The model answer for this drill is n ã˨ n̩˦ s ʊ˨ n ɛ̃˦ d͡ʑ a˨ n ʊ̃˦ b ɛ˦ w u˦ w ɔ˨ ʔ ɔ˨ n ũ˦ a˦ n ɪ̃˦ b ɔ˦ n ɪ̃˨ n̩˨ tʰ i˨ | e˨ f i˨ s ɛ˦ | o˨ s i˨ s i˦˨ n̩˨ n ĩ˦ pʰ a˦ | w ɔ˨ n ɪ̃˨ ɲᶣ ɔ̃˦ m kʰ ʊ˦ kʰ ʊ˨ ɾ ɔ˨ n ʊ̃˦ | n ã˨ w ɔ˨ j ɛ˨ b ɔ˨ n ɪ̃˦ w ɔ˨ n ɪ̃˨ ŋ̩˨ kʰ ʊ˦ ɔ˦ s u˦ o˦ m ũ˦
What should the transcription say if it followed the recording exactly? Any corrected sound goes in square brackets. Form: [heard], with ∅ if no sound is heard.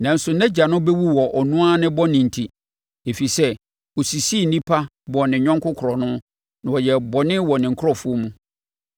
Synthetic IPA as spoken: n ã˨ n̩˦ s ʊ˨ n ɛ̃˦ d͡ʑ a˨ n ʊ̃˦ b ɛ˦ w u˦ w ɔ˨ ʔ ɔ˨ n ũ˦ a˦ n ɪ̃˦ b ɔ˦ n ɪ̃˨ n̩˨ tʰ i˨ | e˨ f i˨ s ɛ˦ | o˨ s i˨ s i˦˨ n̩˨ n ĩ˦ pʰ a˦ | [b] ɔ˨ n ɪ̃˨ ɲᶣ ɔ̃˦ [ŋ] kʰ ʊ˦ kʰ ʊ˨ ɾ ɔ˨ n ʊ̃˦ | n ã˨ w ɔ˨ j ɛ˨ b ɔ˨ n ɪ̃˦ w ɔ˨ n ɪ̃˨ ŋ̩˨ kʰ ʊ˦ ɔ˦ [f] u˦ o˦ m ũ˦